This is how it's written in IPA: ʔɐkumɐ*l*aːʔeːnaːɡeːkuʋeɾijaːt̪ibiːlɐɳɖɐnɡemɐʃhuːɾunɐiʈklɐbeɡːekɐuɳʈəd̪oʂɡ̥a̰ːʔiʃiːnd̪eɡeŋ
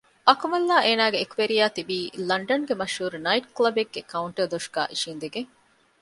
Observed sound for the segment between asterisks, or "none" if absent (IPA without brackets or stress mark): lː